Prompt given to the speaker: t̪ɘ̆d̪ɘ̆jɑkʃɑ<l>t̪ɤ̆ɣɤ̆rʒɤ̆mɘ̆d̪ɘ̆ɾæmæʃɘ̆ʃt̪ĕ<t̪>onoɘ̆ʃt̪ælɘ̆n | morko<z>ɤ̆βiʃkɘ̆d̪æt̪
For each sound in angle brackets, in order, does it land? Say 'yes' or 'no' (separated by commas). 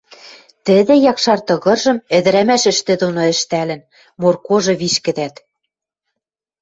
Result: no, no, no